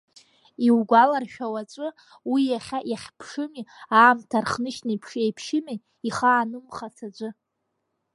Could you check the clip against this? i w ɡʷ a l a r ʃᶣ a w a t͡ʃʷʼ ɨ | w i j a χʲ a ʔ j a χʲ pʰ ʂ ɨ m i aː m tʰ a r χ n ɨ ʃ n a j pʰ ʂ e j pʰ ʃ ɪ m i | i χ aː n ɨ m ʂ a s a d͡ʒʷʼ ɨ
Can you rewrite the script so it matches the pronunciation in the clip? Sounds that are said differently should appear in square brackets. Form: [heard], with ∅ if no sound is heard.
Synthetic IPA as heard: i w ɡʷ a l a r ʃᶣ a w a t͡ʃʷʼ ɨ | w i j a χʲ a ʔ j a χʲ pʰ ʂ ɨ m i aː m tʰ a r χ n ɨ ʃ n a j pʰ ʂ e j pʰ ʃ ɪ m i | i χ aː n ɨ m [χ] a s a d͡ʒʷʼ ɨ